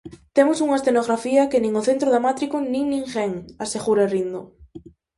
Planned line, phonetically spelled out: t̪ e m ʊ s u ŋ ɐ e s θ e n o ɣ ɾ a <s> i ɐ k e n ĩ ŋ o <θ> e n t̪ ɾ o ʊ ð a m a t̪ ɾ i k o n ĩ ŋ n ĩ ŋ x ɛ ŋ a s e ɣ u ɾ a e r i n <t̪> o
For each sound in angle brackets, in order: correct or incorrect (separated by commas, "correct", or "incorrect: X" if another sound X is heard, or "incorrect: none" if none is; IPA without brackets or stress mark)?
incorrect: f, correct, incorrect: d̪